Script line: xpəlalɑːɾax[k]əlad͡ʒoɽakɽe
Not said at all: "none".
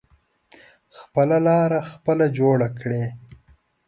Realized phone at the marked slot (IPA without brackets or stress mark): p